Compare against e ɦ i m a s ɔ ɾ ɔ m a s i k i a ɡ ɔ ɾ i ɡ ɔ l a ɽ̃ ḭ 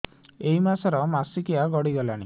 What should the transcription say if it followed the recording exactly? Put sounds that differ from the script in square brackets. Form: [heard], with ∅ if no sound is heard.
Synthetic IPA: e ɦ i m a s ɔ ɾ ɔ m a s i k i a ɡ ɔ [ɽ] i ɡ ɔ l a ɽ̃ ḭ